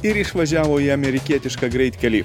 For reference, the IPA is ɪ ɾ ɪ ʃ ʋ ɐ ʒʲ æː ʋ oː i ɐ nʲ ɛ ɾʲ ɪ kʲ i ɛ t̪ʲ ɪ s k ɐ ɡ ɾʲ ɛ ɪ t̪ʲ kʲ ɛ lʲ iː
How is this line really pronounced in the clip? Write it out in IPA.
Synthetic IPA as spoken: ɪ ɾ ɪ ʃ ʋ ɐ ʒʲ æː ʋ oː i ɐ mʲ ɛ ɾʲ ɪ kʲ i ɛ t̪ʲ ɪ ʃ k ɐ ɡ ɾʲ ɛ ɪ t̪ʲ kʲ ɛ lʲ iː